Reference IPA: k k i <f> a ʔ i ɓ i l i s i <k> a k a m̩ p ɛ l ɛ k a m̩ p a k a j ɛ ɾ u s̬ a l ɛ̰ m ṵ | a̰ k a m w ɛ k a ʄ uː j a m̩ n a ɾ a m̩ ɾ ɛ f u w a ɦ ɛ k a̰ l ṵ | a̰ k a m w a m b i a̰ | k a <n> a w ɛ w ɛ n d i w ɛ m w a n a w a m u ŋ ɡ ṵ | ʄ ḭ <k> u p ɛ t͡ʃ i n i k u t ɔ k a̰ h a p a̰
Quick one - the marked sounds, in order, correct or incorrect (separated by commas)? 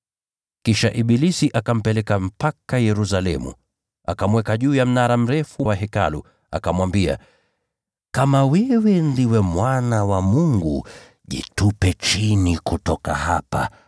incorrect, incorrect, incorrect, incorrect